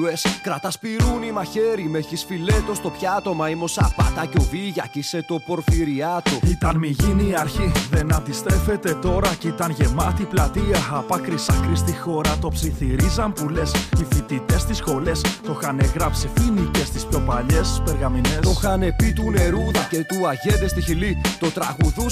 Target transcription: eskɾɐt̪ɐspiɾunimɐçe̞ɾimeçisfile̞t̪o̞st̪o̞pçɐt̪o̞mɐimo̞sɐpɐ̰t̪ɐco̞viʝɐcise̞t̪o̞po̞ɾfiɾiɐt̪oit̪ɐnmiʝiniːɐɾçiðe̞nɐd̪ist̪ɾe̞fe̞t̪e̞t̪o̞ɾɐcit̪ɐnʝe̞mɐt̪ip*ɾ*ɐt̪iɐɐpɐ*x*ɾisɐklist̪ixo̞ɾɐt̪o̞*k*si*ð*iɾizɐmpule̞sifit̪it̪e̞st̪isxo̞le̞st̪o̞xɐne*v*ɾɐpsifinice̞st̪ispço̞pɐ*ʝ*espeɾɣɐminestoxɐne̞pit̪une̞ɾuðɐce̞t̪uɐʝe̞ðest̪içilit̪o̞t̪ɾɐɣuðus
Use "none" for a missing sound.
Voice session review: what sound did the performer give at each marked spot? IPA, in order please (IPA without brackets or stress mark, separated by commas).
l, k, p, θ, ɣ, ʎ